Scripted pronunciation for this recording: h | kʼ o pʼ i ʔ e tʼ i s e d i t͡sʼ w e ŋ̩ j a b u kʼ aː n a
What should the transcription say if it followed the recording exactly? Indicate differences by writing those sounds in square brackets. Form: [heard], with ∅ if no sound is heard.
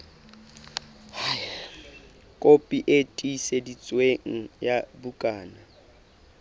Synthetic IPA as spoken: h | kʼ o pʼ i ʔ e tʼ i s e d i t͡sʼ w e ŋ̩ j a b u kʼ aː n a